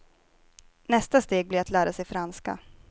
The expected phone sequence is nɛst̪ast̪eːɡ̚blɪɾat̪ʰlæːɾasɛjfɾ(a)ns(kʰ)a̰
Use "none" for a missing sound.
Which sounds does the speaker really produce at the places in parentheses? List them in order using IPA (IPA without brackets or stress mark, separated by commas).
a, k